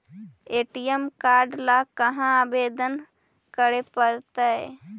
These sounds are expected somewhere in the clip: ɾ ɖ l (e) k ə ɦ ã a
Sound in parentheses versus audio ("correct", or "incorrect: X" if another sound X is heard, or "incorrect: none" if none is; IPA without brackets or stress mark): incorrect: a